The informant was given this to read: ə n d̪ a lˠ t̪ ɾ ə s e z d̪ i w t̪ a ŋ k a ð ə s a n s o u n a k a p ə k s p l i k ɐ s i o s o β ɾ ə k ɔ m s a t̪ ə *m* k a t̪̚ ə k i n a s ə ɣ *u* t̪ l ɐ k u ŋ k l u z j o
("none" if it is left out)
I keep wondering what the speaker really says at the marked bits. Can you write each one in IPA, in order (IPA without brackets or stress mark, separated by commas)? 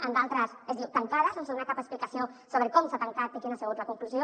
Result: ŋ, u